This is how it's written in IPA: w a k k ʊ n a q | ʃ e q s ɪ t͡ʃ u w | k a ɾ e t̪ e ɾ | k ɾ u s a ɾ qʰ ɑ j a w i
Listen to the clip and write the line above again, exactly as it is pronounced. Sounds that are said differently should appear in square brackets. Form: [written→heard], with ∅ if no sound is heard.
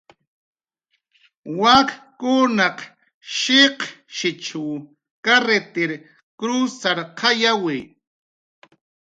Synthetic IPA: w a k k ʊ n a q | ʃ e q [s→ʃ] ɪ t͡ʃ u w | k a ɾ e t̪ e ɾ | k ɾ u s a ɾ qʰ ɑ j a w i